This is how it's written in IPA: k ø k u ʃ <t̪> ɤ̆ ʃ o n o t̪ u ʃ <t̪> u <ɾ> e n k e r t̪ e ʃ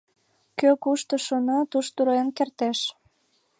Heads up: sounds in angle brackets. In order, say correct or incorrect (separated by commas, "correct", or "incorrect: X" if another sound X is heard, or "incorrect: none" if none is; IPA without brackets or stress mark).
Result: correct, correct, correct